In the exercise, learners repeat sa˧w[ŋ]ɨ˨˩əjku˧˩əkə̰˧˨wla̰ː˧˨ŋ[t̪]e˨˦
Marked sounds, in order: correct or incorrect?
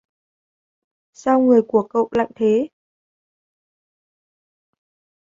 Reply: correct, incorrect: t̪ʰ

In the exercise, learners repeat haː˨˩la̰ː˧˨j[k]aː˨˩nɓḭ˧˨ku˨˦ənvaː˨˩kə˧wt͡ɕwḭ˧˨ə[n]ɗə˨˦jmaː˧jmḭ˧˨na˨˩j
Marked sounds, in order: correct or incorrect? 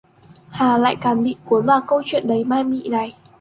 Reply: correct, correct

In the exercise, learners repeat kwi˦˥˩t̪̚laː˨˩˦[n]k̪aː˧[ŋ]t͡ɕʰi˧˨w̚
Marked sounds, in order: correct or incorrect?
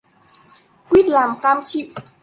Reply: incorrect: m, incorrect: m

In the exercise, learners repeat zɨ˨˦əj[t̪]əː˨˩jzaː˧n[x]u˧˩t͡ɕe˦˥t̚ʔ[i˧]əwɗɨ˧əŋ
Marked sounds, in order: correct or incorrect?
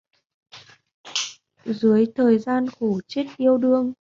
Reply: incorrect: t̪ʰ, correct, correct

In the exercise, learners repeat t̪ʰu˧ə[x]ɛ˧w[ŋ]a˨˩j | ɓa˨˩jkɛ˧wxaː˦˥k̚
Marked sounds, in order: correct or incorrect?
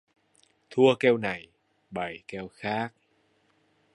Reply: incorrect: k, incorrect: n

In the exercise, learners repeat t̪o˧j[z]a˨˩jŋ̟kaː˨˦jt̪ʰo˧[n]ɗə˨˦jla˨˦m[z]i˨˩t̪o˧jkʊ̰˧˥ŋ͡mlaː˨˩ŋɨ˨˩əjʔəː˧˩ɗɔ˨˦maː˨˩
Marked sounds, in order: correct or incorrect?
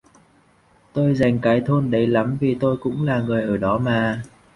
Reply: correct, correct, incorrect: v

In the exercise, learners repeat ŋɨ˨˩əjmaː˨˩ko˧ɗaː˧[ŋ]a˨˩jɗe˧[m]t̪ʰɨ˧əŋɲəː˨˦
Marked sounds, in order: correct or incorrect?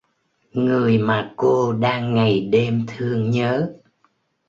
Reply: incorrect: ŋː, correct

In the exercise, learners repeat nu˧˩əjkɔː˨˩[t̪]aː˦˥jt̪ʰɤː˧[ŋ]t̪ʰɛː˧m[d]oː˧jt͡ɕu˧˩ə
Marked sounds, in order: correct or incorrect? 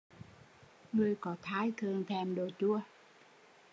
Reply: incorrect: t̪ʰ, correct, correct

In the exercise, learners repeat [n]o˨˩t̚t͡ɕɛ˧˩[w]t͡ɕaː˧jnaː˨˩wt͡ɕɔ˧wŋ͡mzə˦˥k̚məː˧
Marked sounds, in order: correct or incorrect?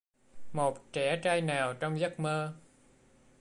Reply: incorrect: m, incorrect: none

